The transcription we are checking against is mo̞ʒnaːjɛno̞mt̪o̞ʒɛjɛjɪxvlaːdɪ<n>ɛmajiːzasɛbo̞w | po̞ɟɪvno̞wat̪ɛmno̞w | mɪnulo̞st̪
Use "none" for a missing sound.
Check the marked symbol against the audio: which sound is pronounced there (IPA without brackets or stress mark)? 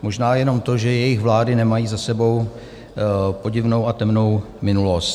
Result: n